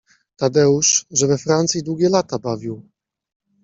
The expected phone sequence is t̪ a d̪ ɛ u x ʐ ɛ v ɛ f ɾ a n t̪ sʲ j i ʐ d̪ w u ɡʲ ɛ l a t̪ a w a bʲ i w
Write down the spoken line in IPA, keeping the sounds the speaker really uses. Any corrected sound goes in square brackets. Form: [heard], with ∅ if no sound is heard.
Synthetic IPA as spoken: t̪ a d̪ ɛ u [ʂ] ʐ ɛ v ɛ f ɾ a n t̪ sʲ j i [∅] d̪ w u ɡʲ ɛ l a t̪ a [b] a [vʲ] i w

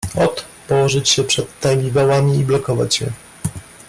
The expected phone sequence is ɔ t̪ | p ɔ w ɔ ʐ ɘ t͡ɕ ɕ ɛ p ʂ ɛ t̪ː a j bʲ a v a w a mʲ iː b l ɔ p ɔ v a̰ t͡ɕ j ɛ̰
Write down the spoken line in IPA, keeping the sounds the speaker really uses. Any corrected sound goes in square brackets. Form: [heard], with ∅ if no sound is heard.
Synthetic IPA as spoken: ɔ t̪ | p ɔ w ɔ ʐ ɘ t͡ɕ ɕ ɛ p ʂ ɛ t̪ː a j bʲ [i] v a w a mʲ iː b l ɔ [k] ɔ v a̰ t͡ɕ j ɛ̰

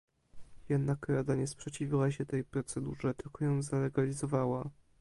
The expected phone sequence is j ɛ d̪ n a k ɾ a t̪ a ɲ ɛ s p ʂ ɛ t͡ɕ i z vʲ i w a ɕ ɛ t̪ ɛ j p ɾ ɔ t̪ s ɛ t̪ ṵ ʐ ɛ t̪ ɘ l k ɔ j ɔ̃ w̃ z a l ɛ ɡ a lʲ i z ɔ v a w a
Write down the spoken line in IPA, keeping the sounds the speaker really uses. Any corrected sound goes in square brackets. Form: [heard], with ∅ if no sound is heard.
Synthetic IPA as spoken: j ɛ d̪ n a k ɾ a [d̪] a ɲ ɛ s p ʂ ɛ t͡ɕ i [∅] vʲ i w a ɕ ɛ t̪ ɛ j p ɾ ɔ t̪ s ɛ [d̪] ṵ ʐ ɛ t̪ ɘ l k ɔ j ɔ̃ w̃ z a l ɛ ɡ a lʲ i z ɔ v a w a

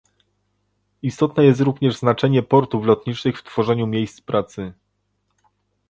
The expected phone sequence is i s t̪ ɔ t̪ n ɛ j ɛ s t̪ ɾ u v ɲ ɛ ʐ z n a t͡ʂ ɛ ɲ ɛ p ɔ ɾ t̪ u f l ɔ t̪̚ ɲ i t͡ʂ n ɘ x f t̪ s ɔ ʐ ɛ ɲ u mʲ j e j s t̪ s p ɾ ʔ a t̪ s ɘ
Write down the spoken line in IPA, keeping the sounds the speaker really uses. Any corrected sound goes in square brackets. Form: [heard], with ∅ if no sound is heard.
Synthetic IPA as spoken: i s t̪ ɔ t̪ n ɛ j ɛ s t̪ ɾ u v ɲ ɛ ʐ z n a t͡ʂ ɛ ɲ ɛ p ɔ ɾ t̪ u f l ɔ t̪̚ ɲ i t͡ʂ n ɘ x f t̪ [f] ɔ ʐ ɛ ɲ u mʲ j e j s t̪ s p ɾ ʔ a t̪ s ɘ

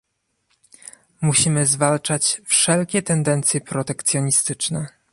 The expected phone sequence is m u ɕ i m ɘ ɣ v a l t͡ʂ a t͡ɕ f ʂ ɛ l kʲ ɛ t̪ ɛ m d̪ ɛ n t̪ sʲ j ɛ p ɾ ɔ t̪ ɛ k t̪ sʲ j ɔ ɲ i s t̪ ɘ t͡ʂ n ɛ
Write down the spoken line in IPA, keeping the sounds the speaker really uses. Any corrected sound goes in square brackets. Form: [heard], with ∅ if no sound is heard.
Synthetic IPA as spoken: m u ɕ i m ɘ [z] v a l t͡ʂ a t͡ɕ f ʂ ɛ l kʲ ɛ t̪ ɛ [n] d̪ ɛ n t̪ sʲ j ɛ p ɾ ɔ t̪ ɛ k t̪ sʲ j ɔ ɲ i s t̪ ɘ t͡ʂ n ɛ

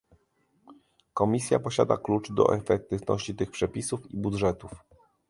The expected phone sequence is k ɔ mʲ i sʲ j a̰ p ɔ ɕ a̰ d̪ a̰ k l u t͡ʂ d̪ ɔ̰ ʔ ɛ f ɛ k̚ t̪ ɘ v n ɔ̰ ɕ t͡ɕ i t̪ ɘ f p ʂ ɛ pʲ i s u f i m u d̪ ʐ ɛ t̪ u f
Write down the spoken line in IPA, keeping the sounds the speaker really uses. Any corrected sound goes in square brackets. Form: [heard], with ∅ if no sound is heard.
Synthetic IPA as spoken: k ɔ mʲ i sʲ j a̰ p ɔ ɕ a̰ d̪ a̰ k l u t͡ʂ d̪ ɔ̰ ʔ ɛ f ɛ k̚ t̪ ɘ v n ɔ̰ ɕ t͡ɕ i t̪ ɘ [x] p ʂ ɛ pʲ i s u f i [b] u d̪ ʐ ɛ t̪ u f

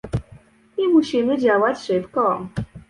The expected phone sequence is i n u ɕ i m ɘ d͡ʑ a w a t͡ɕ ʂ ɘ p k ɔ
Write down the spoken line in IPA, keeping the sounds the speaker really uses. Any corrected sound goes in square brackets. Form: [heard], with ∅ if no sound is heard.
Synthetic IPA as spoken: i [m] u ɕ i m ɘ d͡ʑ a w a t͡ɕ ʂ ɘ p k ɔ

